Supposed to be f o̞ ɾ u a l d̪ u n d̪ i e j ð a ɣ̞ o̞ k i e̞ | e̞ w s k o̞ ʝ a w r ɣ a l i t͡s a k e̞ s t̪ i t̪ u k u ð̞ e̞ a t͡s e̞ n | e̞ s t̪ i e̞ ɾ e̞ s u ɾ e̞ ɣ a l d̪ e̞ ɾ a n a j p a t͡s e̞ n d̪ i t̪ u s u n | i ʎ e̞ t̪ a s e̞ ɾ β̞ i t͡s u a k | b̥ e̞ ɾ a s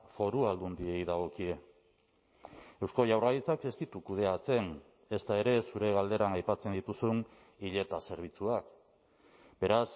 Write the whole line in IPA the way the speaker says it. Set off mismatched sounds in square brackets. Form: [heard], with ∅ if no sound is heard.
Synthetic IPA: f o̞ ɾ u a l d̪ u n d̪ i e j ð a ɣ̞ o̞ k i e̞ | e̞ w s k o̞ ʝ a w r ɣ a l i t͡s a k e̞ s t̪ i t̪ u k u ð̞ e̞ a t͡s e̞ n | e̞ s t̪ [a] e̞ ɾ e̞ s u ɾ e̞ ɣ a l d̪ e̞ ɾ a n a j p a t͡s e̞ n d̪ i t̪ u s u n | i ʎ e̞ t̪ a s e̞ ɾ β̞ i t͡s u a k | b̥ e̞ ɾ a s